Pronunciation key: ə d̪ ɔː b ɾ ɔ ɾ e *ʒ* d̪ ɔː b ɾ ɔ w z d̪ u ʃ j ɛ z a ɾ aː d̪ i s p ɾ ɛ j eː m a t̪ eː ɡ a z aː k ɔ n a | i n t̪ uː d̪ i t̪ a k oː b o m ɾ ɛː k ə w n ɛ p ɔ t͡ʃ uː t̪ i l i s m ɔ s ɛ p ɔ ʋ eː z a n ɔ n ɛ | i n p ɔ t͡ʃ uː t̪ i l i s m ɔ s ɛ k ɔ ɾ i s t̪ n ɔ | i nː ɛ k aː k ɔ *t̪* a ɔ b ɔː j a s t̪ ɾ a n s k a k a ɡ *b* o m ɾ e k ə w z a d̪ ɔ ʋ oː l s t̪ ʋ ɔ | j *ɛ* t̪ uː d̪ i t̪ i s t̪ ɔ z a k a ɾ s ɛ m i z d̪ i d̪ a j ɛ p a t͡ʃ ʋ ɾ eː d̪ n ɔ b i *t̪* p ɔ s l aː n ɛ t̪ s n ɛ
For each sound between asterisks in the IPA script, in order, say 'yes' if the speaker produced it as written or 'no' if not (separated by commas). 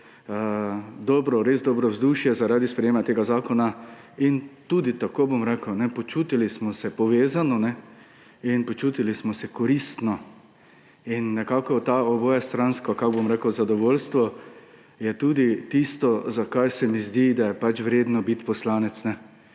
no, yes, yes, yes, yes